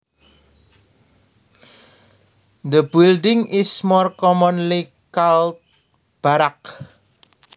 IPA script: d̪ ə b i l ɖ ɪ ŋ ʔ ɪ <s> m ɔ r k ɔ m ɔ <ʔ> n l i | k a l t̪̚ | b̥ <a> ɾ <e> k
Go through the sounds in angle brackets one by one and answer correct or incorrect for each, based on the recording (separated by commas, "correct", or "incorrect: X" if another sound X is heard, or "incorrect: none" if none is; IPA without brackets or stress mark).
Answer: correct, incorrect: none, correct, incorrect: a